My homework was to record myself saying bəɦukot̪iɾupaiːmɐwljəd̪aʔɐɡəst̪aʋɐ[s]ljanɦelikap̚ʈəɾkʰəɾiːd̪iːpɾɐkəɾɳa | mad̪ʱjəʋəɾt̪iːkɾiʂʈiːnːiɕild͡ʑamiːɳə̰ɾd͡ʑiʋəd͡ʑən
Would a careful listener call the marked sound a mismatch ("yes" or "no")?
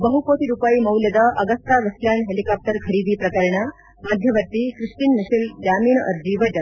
no